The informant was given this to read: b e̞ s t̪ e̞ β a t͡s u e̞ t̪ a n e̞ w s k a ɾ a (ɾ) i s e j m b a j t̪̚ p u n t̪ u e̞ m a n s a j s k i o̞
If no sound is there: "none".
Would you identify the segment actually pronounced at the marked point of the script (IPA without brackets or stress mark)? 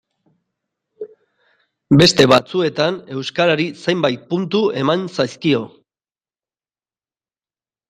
ɾ